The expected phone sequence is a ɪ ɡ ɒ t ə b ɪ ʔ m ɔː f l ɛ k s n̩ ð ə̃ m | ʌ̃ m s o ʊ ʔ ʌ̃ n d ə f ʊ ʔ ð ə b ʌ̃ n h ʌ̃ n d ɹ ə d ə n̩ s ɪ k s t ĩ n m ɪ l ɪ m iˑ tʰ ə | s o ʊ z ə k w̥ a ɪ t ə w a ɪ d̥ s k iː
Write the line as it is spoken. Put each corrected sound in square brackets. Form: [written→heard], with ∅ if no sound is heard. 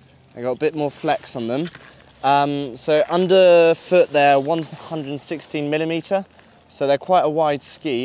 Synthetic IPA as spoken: a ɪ ɡ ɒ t ə b ɪ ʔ m ɔː f l ɛ k s n̩ ð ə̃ m | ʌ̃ m s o ʊ ʔ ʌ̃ n d ə f ʊ ʔ ð ə [b→w] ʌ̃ n h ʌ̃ n d ɹ ə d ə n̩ s ɪ k s t ĩ n m ɪ l ɪ m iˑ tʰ ə | s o ʊ [z→ð] ə [k→kʰ] w̥ a ɪ t ə w a ɪ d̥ s k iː